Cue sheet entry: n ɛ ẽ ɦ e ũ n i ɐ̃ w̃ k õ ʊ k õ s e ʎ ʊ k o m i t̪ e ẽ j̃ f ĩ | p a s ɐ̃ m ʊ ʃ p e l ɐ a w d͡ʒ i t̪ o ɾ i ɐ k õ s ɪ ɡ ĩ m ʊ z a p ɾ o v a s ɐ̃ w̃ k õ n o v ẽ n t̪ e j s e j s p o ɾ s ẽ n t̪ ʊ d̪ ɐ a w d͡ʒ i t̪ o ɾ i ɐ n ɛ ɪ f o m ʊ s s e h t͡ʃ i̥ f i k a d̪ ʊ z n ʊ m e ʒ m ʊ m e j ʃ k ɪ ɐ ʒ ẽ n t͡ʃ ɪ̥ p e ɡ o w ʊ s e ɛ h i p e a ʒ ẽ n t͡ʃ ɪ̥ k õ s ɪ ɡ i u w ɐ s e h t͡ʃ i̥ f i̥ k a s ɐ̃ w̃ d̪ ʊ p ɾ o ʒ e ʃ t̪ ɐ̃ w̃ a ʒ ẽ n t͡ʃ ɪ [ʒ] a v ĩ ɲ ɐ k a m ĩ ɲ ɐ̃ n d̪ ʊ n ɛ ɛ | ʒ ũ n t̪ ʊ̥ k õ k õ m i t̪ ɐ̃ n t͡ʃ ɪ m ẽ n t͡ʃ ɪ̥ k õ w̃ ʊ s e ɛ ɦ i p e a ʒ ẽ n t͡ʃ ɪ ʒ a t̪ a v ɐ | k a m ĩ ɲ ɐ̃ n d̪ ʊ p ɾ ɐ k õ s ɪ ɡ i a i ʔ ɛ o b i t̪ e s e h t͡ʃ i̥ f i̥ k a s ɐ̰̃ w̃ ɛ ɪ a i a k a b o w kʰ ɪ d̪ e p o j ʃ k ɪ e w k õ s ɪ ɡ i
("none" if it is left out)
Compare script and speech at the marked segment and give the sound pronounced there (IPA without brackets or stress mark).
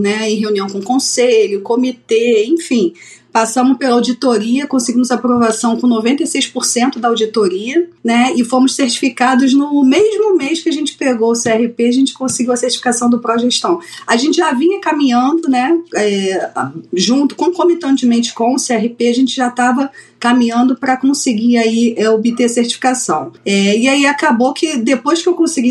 ʒ